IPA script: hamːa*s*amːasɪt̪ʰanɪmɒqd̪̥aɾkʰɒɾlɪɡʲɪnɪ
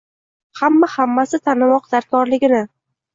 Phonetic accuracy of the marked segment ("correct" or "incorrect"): incorrect